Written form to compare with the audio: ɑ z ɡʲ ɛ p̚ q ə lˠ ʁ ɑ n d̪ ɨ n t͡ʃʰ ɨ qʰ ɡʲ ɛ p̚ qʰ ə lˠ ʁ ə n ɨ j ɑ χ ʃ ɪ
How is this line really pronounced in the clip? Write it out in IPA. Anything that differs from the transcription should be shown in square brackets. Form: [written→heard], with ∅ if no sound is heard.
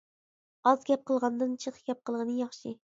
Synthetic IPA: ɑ z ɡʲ ɛ p̚ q ə lˠ ʁ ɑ n d̪ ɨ n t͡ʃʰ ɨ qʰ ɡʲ ɛ p̚ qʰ ə lˠ ʁ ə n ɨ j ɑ χ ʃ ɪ